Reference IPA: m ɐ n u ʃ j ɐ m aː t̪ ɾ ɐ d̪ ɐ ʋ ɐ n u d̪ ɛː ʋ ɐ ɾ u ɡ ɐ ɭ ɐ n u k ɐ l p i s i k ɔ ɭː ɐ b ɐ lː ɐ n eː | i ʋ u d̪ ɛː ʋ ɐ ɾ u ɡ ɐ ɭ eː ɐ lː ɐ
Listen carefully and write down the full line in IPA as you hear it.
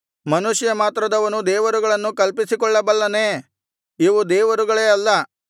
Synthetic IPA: m ɐ n u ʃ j ɐ m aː t̪ ɾ ɐ d̪ ɐ ʋ ɐ n u d̪ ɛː ʋ ɐ ɾ u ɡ ɐ ɭ ɐ nː u k ɐ l p i s i k ɔ ɭː ɐ b ɐ lː ɐ n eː | i ʋ u d̪ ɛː ʋ ɐ ɾ u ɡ ɐ ɭ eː ɐ lː ɐ

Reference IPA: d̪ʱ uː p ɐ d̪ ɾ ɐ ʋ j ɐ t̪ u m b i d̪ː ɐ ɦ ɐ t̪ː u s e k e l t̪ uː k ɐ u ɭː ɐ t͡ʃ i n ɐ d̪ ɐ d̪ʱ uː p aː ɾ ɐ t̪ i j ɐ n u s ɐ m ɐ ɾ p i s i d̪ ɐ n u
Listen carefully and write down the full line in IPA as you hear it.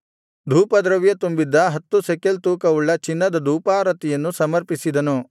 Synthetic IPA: d̪ʱ uː p ɐ d̪ ɾ ɐ ʋ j ɐ t̪ u m b i d̪ː ɐ ɦ ɐ t̪ː u s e k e l t̪ uː k ɐ u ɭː ɐ t͡ʃ i nː ɐ d̪ ɐ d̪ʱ uː p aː ɾ ɐ t̪ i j ɐ nː u s ɐ m ɐ ɾ p i s i d̪ ɐ n u

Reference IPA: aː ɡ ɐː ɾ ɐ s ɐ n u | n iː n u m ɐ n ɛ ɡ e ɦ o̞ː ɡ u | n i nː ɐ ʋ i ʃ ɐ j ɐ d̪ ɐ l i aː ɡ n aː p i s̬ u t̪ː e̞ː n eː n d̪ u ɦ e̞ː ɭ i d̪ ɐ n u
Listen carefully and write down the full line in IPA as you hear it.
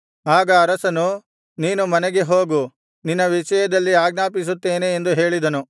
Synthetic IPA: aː ɡ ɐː ɾ ɐ s ɐ n u | n iː n u m ɐ n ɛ ɡ e ɦ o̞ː ɡ u | n i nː ɐ ʋ i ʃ ɐ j ɐ d̪ ɐ lː i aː ɡ n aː p i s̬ u t̪ː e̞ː n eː n d̪ u ɦ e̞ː ɭ i d̪ ɐ n u

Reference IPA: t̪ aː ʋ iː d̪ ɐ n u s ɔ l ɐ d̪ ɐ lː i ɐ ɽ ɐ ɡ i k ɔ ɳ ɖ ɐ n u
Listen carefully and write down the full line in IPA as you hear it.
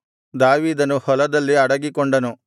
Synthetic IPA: d̪ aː ʋ iː d̪ ɐ n u h ɔ l ɐ d̪ ɐ lː i ɐ ɽ ɐ ɡ i k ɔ ɳ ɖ ɐ n u

